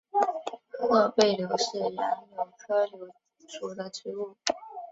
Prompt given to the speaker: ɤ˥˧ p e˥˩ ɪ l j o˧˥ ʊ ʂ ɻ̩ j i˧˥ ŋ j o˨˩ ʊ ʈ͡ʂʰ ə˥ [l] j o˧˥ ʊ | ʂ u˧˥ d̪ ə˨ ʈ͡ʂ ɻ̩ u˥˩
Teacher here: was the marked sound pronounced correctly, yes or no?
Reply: yes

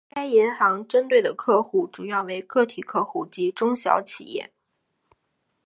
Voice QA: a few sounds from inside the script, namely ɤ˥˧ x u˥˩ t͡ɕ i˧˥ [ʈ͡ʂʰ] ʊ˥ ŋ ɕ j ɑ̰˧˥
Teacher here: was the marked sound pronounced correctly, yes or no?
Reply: no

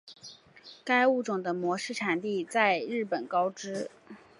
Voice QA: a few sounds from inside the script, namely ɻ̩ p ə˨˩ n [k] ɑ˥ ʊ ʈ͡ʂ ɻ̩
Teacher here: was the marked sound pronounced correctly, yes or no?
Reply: yes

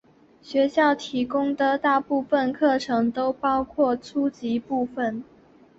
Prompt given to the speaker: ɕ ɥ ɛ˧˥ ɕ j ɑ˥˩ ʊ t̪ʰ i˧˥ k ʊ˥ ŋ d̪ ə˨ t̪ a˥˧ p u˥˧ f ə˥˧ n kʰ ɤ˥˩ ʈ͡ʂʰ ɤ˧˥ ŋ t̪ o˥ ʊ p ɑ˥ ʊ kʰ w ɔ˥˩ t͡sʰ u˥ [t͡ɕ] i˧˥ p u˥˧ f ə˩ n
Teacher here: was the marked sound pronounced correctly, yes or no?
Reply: yes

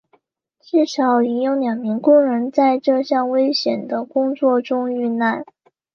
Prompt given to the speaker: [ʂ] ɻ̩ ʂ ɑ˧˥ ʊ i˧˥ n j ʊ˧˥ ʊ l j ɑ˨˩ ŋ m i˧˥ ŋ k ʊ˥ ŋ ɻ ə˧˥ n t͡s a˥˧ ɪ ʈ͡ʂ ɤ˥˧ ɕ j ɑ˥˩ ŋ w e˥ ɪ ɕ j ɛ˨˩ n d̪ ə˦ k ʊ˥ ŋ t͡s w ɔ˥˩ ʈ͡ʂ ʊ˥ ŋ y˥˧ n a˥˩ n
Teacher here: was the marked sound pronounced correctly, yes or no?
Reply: no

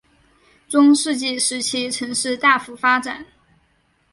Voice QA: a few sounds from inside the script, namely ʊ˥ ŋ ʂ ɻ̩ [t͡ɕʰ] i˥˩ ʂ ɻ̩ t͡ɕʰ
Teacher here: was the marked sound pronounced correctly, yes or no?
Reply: no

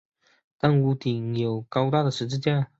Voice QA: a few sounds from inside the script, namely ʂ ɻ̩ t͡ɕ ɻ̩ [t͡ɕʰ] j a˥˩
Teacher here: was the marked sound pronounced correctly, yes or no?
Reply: no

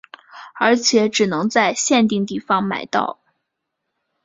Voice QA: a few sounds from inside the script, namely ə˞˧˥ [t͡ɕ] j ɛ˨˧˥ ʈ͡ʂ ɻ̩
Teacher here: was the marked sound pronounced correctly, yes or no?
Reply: no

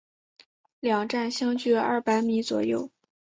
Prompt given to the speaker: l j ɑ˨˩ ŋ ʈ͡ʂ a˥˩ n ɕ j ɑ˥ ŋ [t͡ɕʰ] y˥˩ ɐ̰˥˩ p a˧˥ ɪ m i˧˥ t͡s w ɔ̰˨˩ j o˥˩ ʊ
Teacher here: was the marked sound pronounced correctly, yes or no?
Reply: no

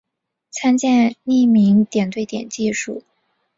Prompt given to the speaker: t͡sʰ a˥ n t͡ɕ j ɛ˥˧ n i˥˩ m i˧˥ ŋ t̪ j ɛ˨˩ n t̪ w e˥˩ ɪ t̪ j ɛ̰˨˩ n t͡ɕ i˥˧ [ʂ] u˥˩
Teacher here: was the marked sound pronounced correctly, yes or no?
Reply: yes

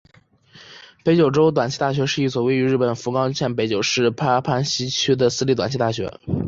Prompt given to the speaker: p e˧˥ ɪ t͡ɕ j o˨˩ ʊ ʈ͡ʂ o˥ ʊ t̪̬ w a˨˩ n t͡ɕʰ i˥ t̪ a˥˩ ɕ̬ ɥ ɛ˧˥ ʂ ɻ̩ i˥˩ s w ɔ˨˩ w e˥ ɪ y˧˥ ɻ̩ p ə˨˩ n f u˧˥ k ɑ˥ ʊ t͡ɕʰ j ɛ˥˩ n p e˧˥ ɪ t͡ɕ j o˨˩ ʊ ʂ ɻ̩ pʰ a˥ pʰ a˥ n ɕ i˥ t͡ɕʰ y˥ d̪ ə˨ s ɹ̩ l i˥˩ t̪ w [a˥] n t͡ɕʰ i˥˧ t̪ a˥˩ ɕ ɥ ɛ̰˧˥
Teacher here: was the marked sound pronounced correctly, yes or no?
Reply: no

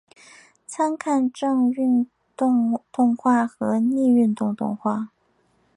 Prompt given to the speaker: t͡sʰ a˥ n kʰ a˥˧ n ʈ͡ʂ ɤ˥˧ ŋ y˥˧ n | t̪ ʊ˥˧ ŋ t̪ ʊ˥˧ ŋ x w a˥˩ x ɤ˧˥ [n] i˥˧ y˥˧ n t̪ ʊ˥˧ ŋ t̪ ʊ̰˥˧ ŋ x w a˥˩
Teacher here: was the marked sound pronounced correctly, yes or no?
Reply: yes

